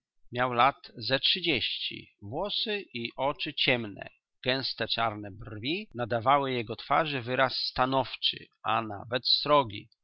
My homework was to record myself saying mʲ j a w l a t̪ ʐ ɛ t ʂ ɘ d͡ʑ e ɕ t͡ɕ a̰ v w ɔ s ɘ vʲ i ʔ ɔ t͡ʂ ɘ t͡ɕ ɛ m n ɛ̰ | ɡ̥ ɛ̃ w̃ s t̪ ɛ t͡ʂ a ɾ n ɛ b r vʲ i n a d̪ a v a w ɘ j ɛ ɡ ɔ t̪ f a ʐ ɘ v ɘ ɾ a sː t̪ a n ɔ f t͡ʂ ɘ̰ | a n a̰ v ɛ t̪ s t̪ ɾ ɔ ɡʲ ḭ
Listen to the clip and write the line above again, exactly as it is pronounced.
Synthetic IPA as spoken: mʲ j a w l a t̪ z ɛ t ʂ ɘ d͡ʑ e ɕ t͡ɕ ḭ v w ɔ s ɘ i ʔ ɔ t͡ʂ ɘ t͡ɕ ɛ m n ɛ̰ | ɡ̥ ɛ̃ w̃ s t̪ ɛ t͡ʂ a ɾ n ɛ b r vʲ i n a d̪ a v a w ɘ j ɛ ɡ ɔ t̪ f a ʐ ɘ v ɘ ɾ a sː t̪ a n ɔ f t͡ʂ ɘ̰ | a n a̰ v ɛ t̪ s t̪ ɾ ɔ ɡʲ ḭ

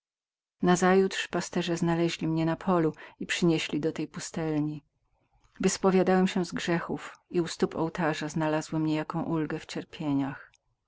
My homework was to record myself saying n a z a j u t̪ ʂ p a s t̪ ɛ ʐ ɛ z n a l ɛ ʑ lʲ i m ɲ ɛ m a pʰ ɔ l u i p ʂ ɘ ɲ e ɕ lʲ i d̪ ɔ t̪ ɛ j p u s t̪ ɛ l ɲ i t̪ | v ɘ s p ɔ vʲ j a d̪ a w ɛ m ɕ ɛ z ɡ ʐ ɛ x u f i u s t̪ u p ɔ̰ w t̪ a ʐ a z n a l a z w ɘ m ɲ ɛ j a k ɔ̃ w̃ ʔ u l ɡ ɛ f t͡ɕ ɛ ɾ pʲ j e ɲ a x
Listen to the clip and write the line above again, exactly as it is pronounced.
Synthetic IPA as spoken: n a z a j u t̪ ʂ p a s t̪ ɛ ʐ ɛ z n a l ɛ ʑ lʲ i m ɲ ɛ n a pʰ ɔ l u i p ʂ ɘ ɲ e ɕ lʲ i d̪ ɔ t̪ ɛ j p u s t̪ ɛ l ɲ i | v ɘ s p ɔ vʲ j a d̪ a w ɛ m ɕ ɛ z ɡ ʐ ɛ x u f i u s t̪ u p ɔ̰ w t̪ a ʐ a z n a l a z w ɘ m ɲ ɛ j a k ɔ̃ w̃ ʔ u l ɡ ɛ f t͡ɕ ɛ ɾ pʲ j e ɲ a x

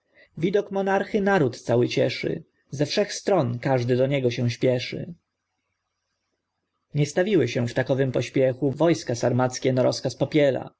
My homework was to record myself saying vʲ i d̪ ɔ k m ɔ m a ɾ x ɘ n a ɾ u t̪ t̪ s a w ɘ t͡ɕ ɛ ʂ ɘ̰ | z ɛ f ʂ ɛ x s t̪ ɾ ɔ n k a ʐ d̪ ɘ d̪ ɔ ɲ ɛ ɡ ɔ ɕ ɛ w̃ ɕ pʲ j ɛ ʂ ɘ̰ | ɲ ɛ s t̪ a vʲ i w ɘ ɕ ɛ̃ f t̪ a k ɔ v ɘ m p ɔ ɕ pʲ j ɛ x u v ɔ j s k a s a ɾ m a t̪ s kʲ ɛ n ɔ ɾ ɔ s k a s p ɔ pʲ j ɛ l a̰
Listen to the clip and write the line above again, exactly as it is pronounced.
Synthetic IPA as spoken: vʲ i d̪ ɔ k m ɔ n a ɾ x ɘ n a ɾ u t̪ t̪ s a w ɘ t͡ɕ ɛ ʂ ɘ̰ | z ɛ f ʂ ɛ x s t̪ ɾ ɔ n k a ʐ d̪ ɘ d̪ ɔ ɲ ɛ ɡ ɔ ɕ ɛ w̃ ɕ pʲ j ɛ ʂ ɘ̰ | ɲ ɛ s t̪ a vʲ i w ɘ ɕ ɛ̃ f t̪ a k ɔ v ɘ m p ɔ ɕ pʲ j ɛ x u v ɔ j s k a s a ɾ m a t̪ s kʲ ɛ n ɔ ɾ ɔ s k a s p ɔ pʲ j ɛ l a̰

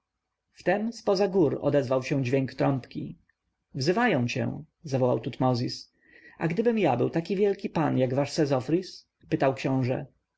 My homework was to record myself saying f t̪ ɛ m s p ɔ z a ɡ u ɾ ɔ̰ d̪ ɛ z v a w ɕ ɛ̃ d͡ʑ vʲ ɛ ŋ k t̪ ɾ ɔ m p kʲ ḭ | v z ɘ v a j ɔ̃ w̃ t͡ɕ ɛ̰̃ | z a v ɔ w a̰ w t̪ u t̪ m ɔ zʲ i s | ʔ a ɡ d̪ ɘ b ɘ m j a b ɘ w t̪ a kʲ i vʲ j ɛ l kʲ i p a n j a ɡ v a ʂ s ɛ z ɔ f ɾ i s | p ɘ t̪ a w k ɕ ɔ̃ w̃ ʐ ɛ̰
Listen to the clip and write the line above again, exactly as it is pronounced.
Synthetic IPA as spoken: f t̪ ɛ m s p ɔ z a ɡ u ɾ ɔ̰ d̪ ɛ z v a w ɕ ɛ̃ d͡ʑ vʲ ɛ ŋ k t̪ ɾ ɔ m p kʲ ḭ | v z ɘ v a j ɔ̃ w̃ t͡ɕ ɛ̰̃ | z a v ɔ w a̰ w t̪ u t̪ m ɔ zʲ i s | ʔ a ɡ d̪ ɘ b ɘ m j a b ɘ w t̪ a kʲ i vʲ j ɛ l kʲ i p a n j a ɡ v a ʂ s ɛ z ɔ f ɾ i s | p ɘ t̪ a w k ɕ ɔ̃ w̃ ʐ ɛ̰

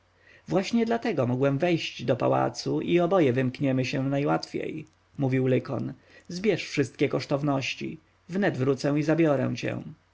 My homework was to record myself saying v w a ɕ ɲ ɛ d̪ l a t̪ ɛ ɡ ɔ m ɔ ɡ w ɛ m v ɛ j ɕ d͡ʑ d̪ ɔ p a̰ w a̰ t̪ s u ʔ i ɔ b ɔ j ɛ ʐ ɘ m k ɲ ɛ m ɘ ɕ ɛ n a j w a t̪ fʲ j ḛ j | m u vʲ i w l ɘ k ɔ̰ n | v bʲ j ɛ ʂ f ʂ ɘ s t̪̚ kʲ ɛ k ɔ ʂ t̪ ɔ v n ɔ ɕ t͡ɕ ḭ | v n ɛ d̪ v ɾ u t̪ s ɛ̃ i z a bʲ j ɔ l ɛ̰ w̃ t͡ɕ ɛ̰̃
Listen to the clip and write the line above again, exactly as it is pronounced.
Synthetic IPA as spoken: v w a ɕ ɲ ɛ d̪ l a t̪ ɛ ɡ ɔ m ɔ ɡ w ɛ m v ɛ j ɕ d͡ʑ d̪ ɔ p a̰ w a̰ t̪ s u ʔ i ɔ b ɔ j ɛ v ɘ m k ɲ ɛ m ɘ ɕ ɛ n a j w a t̪ fʲ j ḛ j | m u vʲ i w l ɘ k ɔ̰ n | z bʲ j ɛ ʂ f ʂ ɘ s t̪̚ kʲ ɛ k ɔ ʂ t̪ ɔ v n ɔ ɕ t͡ɕ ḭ | v n ɛ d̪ v ɾ u t̪ s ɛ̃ i z a bʲ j ɔ ɾ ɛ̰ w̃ t͡ɕ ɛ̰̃

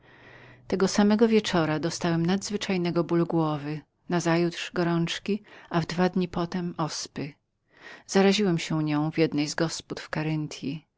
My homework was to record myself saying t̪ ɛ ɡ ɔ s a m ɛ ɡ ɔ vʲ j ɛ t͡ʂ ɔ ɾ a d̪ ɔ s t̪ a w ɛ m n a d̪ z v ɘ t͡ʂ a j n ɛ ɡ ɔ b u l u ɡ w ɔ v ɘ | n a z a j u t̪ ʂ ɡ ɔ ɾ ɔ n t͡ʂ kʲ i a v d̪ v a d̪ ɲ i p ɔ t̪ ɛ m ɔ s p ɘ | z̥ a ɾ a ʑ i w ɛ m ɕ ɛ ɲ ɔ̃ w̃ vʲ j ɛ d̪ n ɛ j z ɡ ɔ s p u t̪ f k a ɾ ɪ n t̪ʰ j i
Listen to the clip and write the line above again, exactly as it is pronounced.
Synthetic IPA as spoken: t̪ ɛ ɡ ɔ s a m ɛ ɡ ɔ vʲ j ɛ t͡ʂ ɔ ɾ a d̪ ɔ s t̪ a w ɛ m n a d̪ z v ɘ t͡ʂ a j n ɛ ɡ ɔ b u l u ɡ w ɔ v ɘ | n a z a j u t̪ ʂ ɡ ɔ ɾ ɔ n t͡ʂ kʲ i a v d̪ v a d̪ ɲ i p ɔ t̪ ɛ m ɔ s p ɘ | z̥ a ɾ a ʑ i w ɛ m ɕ ɛ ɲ ɔ̃ w̃ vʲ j ɛ d̪ n ɛ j z ɡ ɔ s p u t̪ f k a ɾ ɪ n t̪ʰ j i

